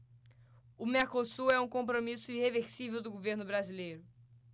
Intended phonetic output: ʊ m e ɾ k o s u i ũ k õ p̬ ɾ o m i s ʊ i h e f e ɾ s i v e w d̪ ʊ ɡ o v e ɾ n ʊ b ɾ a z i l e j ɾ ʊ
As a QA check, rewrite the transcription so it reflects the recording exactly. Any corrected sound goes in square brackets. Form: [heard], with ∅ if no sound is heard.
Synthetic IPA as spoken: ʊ m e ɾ k o s u [ɛ] ũ k õ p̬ ɾ o m i s ʊ i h e [v] e ɾ s i v e w d̪ ʊ ɡ o v e ɾ n ʊ b ɾ a z i l e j ɾ ʊ